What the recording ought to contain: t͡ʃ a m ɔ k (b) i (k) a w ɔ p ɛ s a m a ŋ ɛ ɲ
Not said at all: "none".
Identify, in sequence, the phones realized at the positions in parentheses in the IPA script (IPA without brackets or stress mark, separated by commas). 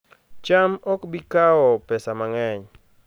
b, k